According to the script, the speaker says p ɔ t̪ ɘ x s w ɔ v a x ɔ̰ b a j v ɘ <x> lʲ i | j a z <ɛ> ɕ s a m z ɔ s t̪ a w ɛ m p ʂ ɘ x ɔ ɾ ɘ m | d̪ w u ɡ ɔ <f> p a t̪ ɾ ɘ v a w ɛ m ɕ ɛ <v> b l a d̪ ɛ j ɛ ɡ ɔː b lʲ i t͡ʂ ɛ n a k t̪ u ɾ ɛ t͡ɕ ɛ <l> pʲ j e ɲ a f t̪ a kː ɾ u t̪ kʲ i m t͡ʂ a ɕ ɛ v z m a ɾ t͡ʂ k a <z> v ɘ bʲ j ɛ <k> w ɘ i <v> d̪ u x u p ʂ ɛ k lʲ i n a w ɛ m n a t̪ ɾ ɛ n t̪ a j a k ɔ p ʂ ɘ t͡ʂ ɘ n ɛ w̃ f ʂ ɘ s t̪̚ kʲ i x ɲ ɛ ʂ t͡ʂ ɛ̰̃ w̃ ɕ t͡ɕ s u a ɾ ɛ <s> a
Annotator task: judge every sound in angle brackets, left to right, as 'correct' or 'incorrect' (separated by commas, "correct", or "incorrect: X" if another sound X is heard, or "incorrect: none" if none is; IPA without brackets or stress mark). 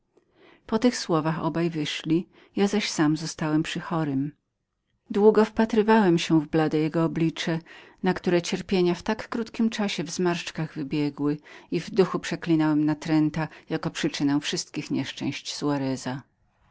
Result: incorrect: ʂ, incorrect: a, correct, correct, incorrect: ɾ, incorrect: ɣ, incorrect: ɡ, correct, incorrect: z